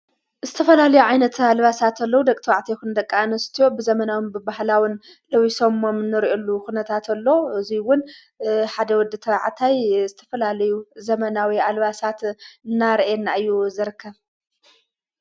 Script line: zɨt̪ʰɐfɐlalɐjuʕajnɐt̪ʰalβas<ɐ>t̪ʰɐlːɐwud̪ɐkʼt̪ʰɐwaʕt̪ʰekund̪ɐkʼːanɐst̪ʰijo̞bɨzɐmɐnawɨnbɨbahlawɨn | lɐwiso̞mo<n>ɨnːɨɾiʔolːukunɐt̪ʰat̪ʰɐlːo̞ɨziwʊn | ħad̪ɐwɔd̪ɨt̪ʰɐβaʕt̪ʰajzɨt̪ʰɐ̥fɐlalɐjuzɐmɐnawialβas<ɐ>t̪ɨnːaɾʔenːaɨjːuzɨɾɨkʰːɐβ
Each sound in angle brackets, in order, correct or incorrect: incorrect: a, incorrect: m, incorrect: a

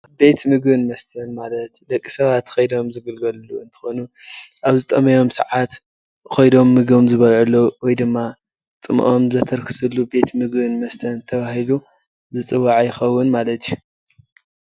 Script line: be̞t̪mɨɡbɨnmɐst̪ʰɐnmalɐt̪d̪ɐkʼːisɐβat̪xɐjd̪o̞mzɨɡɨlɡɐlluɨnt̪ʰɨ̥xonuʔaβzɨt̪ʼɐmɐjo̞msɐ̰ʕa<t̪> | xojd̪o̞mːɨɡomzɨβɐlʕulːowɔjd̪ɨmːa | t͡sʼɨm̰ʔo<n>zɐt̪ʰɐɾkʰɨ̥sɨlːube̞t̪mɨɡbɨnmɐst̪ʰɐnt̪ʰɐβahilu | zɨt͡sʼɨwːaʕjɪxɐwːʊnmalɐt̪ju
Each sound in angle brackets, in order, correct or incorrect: correct, incorrect: m

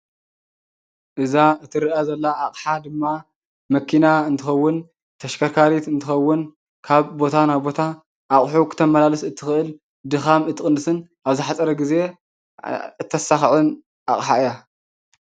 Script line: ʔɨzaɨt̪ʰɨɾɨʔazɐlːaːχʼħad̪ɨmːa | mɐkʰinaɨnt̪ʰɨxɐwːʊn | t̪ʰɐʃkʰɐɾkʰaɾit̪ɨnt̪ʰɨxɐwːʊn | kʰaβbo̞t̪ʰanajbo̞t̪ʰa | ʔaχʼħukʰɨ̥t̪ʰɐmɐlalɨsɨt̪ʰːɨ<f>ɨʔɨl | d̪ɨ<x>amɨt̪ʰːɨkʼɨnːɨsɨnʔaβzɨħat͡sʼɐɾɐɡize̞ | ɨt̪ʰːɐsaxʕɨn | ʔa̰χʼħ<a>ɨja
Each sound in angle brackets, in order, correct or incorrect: incorrect: x, correct, correct

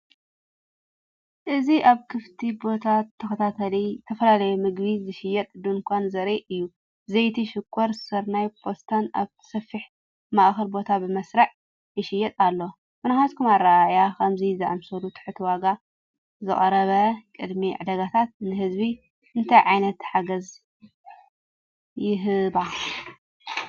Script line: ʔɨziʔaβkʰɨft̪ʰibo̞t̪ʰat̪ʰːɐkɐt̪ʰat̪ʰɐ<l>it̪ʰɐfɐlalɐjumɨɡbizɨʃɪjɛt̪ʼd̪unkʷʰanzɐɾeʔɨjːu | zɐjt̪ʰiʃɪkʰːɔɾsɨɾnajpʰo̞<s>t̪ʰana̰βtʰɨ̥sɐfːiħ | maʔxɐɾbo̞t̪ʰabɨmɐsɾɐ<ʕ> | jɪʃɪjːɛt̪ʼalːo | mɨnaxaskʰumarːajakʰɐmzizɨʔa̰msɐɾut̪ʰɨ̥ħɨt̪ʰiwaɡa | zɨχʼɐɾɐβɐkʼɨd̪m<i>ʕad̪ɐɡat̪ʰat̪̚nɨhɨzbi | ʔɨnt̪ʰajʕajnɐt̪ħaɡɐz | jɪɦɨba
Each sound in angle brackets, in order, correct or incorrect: correct, correct, correct, correct

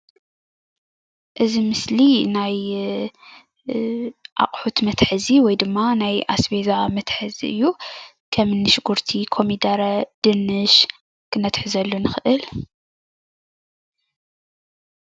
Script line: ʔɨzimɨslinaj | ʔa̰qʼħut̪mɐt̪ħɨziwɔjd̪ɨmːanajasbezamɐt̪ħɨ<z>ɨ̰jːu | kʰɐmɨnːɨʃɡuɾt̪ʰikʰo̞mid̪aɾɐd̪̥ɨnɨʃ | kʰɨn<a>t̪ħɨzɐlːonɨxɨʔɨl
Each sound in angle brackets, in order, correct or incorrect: correct, incorrect: ɐ

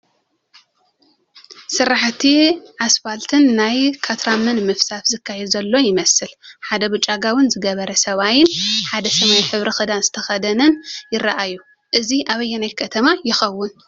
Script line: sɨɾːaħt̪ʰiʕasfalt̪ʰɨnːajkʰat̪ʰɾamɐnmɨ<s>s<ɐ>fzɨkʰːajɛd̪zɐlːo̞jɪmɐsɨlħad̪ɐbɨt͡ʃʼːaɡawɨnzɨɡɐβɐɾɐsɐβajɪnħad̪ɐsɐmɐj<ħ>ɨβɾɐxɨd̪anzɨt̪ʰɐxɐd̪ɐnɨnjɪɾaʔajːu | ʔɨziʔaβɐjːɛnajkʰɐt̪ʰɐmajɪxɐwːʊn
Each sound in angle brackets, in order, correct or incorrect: incorrect: f, incorrect: a, correct

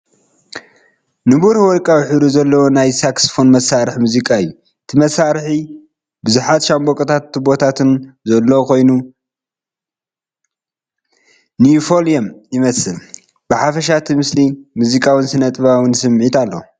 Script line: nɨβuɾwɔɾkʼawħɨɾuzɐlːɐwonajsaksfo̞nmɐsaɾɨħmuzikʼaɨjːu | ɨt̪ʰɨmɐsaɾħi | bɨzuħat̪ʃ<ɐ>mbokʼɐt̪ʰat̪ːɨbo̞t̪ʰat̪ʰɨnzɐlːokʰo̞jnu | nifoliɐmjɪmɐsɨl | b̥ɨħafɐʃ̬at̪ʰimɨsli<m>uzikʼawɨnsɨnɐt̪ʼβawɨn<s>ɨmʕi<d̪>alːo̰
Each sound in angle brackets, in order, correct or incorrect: incorrect: a, correct, correct, incorrect: t̪

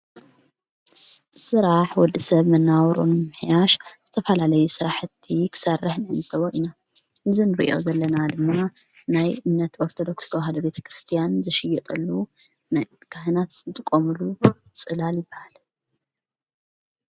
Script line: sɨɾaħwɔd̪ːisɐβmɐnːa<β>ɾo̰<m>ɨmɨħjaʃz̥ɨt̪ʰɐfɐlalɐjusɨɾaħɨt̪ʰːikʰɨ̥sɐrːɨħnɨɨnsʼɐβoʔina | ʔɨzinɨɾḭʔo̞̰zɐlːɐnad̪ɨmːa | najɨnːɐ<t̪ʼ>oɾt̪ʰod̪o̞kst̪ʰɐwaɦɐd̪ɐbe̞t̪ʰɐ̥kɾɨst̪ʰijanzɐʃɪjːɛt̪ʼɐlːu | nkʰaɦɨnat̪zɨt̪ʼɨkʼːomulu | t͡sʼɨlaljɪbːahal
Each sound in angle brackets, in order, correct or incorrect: incorrect: w, incorrect: n, incorrect: t̪

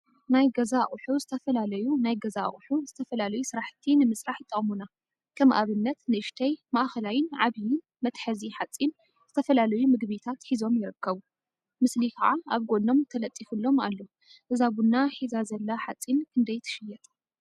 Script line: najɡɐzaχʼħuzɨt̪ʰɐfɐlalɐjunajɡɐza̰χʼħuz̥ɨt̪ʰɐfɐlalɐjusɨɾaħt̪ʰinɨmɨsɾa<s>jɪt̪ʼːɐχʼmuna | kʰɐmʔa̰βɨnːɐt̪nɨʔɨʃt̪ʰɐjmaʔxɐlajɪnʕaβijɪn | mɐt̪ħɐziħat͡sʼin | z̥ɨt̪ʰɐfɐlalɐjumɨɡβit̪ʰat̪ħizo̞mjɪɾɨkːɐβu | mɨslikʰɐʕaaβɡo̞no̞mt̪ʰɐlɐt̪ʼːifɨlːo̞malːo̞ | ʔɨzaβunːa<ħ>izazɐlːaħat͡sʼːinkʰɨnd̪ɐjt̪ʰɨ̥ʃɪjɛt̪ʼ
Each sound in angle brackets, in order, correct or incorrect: incorrect: ħ, correct

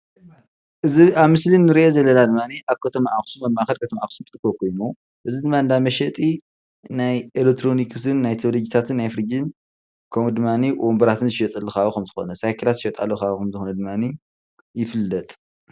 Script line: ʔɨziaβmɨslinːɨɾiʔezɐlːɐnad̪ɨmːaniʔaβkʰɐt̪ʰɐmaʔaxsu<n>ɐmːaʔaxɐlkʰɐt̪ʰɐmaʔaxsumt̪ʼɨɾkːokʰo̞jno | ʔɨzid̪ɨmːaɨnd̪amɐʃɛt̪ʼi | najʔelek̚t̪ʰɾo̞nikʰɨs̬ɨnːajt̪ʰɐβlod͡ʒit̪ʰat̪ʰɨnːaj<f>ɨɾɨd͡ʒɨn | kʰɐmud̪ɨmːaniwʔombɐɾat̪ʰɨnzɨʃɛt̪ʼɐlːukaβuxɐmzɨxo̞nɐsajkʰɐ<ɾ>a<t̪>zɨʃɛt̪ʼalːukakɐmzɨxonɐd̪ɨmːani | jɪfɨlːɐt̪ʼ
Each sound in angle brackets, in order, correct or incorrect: incorrect: m, correct, incorrect: l, correct

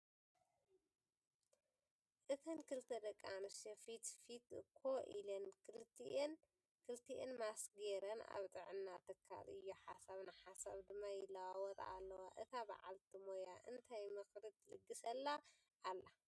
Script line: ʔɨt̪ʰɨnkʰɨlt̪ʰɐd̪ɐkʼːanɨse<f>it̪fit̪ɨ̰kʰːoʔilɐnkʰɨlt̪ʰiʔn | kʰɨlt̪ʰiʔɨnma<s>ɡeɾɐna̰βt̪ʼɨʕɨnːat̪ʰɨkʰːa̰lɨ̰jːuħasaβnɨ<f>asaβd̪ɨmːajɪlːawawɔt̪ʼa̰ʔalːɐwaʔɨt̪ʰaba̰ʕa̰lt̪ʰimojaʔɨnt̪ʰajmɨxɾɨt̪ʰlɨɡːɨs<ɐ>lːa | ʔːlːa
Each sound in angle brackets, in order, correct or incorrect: correct, correct, incorrect: ħ, correct

